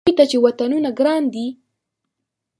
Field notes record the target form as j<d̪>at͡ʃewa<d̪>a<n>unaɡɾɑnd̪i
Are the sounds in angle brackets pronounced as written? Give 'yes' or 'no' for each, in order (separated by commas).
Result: no, no, yes